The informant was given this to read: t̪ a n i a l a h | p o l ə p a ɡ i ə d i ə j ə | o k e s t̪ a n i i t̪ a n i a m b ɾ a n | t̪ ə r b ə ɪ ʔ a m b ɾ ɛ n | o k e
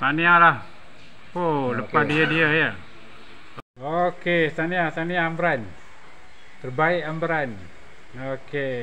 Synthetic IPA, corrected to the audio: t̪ a n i a l a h | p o l ə p a d i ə d i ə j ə | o k e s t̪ a n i a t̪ a n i a m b ɾ a n | t̪ ə r b a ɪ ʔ a m b ɾ a n | o k e